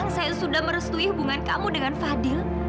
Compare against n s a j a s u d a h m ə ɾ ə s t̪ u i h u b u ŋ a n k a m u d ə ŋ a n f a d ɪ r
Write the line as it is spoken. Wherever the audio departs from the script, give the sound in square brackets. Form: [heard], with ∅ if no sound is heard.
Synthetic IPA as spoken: [ŋ] s a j a s u d a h m ə ɾ ə s t̪ u i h u b u ŋ a n k a m u d ə ŋ a n f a d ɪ [l]

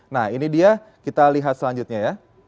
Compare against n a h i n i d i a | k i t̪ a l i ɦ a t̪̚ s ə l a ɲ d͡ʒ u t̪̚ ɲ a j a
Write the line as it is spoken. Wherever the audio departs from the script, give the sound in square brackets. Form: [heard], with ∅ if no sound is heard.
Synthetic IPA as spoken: n a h i n i d i a | k i t̪ a l i ɦ a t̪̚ s ə l a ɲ d͡ʒ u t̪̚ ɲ a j a

